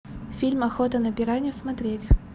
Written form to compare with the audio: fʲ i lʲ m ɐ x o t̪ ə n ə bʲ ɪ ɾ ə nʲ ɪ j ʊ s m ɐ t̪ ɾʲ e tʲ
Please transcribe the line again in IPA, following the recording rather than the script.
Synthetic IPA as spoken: fʲ i lʲ m ɐ x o t̪ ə n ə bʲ ɪ ɾ a nʲ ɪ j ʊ s m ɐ t̪ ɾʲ e tʲ